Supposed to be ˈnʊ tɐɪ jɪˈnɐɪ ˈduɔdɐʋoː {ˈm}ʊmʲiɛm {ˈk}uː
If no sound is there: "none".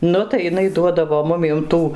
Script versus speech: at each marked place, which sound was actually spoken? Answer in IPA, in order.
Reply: m, t

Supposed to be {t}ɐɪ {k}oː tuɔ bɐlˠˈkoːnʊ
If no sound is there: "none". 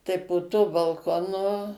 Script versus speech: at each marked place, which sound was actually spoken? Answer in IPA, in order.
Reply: t, p

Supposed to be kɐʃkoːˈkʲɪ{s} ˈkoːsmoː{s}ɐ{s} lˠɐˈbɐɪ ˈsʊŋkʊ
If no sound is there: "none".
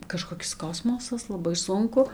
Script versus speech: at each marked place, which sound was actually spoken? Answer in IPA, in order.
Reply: s, s, s

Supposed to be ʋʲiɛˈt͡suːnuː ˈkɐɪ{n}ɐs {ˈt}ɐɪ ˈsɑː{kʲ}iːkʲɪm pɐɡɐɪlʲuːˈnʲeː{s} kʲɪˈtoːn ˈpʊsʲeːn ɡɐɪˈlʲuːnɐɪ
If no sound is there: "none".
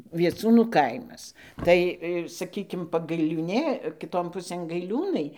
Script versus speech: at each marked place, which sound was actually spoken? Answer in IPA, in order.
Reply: m, t, kʲ, none

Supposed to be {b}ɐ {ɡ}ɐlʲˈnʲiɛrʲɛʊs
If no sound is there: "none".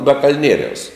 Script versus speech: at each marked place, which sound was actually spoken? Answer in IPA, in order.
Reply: b, k

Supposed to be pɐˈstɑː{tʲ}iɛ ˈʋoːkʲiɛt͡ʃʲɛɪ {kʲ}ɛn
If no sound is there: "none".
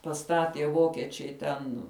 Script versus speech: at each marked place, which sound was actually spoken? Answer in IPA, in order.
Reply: tʲ, tʲ

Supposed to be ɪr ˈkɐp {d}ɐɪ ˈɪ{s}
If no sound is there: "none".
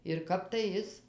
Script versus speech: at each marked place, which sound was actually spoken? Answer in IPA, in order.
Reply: t, s

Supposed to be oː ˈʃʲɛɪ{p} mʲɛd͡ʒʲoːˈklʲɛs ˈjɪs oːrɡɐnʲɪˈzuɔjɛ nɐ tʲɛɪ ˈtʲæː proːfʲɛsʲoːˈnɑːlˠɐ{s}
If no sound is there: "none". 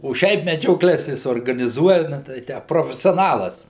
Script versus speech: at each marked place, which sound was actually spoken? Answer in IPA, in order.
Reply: p, s

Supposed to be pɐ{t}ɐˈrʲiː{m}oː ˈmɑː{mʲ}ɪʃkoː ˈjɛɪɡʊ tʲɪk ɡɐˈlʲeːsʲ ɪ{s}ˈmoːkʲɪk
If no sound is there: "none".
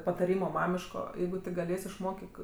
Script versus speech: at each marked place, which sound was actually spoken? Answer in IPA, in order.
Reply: t, m, mʲ, ʃ

